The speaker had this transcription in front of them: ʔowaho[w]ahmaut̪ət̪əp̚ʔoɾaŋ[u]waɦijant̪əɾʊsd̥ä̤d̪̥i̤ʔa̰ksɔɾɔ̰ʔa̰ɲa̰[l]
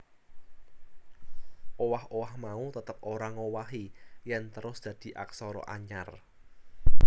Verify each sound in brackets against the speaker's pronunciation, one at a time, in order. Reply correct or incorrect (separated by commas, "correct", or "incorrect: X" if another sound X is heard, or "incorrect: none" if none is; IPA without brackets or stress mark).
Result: correct, incorrect: o, incorrect: r